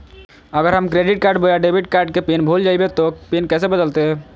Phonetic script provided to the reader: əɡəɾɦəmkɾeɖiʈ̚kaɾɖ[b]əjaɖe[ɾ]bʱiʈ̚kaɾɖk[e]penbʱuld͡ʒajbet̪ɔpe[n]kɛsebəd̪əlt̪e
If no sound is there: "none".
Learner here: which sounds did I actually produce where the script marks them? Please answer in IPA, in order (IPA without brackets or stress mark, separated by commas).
b, none, e, n